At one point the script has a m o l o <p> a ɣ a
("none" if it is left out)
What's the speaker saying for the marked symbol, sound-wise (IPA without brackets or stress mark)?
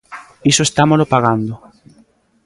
p